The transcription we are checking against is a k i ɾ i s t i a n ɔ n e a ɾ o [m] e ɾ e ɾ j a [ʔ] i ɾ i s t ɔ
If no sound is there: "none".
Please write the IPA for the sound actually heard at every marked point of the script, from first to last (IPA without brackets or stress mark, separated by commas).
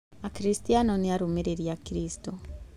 m, k